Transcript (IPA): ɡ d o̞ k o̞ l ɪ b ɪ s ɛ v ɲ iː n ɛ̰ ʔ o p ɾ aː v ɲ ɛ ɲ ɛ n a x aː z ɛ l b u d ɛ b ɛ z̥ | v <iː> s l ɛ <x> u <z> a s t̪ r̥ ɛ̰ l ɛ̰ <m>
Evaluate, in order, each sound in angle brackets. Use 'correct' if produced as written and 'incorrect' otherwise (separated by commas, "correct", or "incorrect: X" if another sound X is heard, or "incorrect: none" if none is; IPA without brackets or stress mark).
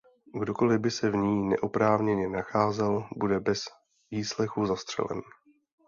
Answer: correct, correct, correct, incorrect: n